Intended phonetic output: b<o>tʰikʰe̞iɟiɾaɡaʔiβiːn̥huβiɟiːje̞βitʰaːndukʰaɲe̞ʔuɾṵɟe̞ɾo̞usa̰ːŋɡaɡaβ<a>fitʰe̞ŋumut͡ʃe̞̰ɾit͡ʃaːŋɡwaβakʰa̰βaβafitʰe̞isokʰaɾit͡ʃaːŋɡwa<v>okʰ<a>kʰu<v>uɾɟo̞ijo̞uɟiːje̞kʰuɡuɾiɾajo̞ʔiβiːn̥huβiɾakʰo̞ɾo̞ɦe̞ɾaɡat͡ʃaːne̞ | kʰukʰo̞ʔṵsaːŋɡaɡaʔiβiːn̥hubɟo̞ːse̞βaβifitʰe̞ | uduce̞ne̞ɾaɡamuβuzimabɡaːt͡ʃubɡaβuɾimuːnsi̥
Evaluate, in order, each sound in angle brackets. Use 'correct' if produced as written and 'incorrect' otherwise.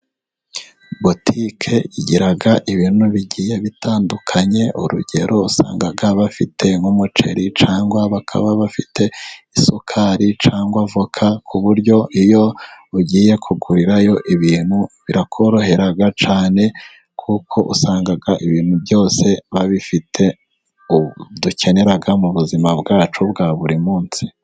correct, correct, correct, correct, incorrect: β

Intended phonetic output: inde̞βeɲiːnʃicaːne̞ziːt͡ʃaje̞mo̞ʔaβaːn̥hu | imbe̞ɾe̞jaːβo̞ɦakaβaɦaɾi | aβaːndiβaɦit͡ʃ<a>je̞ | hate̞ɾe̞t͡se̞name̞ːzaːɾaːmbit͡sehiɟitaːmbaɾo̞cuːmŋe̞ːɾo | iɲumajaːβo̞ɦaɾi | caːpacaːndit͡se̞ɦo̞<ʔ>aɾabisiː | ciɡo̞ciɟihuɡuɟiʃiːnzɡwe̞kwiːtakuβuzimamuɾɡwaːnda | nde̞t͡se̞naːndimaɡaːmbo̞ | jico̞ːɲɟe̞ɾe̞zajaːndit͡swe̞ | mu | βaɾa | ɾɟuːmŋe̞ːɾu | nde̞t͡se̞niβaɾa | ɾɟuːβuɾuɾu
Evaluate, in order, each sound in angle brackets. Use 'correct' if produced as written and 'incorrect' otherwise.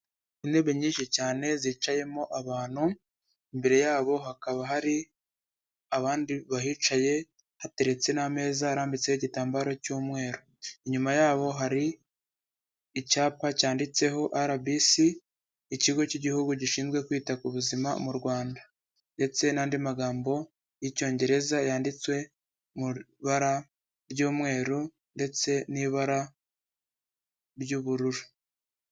correct, correct

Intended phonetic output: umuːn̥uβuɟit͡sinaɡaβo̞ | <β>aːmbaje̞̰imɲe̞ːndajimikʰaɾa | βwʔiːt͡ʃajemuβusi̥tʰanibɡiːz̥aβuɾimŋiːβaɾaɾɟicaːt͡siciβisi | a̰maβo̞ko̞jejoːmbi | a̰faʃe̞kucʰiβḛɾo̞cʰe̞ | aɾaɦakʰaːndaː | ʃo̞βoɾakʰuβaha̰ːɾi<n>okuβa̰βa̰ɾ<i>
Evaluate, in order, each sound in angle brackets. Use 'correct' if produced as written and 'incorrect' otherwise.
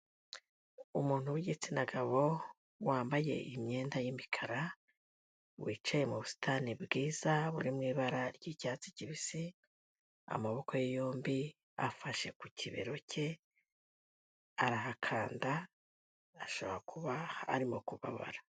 incorrect: w, incorrect: m, incorrect: a

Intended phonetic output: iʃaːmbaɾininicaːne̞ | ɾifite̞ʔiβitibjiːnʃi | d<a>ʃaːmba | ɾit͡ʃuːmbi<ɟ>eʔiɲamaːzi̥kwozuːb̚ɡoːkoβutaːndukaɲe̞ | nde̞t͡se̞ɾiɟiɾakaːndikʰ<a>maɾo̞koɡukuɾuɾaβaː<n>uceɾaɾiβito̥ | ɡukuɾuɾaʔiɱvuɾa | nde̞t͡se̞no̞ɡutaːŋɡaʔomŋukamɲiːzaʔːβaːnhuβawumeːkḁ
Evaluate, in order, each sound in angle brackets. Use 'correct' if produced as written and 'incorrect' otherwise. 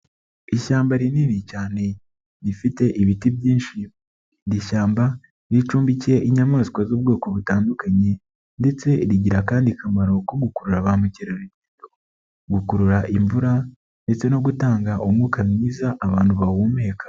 incorrect: i, incorrect: c, correct, incorrect: m

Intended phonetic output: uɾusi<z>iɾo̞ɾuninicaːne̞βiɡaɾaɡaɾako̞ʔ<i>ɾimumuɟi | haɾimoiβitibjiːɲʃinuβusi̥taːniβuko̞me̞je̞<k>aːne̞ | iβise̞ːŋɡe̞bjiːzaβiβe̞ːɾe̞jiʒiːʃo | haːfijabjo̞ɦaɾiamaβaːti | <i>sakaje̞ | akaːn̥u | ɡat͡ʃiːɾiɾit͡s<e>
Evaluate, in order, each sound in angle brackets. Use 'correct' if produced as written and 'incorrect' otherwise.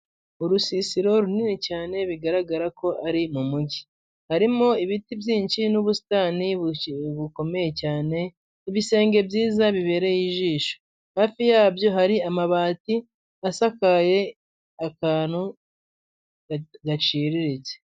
incorrect: s, incorrect: a, incorrect: c, incorrect: a, correct

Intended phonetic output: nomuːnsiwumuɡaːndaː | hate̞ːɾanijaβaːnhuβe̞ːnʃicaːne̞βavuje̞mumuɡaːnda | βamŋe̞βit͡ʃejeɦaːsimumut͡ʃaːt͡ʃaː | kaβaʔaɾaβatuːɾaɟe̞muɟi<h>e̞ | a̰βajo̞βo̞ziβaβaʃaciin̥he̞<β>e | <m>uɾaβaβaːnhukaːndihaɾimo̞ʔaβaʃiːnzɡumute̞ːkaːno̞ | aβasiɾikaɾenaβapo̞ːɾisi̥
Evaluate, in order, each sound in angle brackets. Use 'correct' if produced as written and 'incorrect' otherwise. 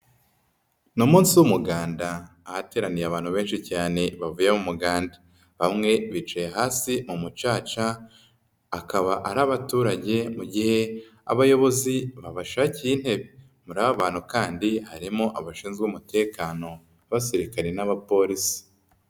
correct, correct, correct

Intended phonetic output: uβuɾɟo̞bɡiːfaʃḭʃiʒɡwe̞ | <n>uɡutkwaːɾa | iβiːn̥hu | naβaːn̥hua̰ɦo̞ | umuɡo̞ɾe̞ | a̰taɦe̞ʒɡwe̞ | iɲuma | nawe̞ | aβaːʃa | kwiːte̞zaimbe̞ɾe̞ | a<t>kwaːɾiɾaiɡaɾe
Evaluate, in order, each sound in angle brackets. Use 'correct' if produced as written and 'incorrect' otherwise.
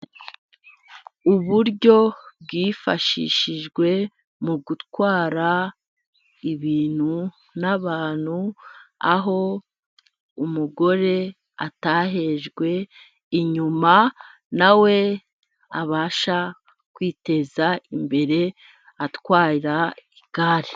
incorrect: m, correct

